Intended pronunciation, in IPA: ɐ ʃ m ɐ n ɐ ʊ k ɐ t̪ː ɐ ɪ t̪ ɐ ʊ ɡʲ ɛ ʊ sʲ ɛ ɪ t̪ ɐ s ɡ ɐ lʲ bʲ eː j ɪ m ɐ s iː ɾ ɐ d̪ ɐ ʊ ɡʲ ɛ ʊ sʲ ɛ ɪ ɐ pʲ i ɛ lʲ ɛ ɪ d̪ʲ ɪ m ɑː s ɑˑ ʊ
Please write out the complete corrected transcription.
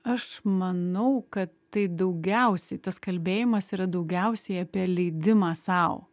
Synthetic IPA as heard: ɐ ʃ m ɐ n ɐ ʊ k ɐ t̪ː ɐ ɪ d̪ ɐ ʊ ɡʲ ɛ ʊ sʲ ɛ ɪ t̪ ɐ s k ɐ lʲ bʲ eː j ɪ m ɐ s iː ɾ ɐ d̪ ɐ ʊ ɡʲ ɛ ʊ sʲ ɛ ɪ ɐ pʲ i ɛ lʲ ɛ ɪ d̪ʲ ɪ m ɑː s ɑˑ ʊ